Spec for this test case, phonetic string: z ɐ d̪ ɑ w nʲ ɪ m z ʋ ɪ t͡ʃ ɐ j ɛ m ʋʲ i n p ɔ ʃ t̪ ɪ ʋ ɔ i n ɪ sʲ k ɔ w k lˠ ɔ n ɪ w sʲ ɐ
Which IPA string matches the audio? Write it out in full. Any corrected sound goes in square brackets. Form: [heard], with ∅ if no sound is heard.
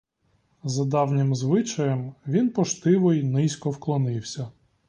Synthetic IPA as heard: z ɐ d̪ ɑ w nʲ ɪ m z ʋ ɪ t͡ʃ ɐ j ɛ m ʋʲ i n p ɔ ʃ t̪ ɪ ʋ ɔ [j] n ɪ sʲ k ɔ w k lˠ ɔ n ɪ w sʲ ɐ